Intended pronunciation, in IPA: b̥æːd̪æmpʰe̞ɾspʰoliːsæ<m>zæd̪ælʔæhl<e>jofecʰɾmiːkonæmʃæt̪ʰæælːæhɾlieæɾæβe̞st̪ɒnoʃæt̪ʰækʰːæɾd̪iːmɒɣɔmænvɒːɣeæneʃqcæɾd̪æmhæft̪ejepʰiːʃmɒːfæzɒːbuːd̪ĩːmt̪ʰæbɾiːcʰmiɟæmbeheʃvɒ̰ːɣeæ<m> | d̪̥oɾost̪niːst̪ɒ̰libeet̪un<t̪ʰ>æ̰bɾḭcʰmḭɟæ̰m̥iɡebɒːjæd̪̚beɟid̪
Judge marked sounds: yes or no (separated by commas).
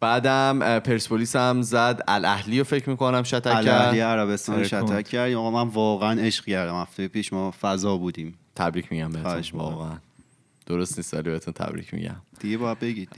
yes, no, no, yes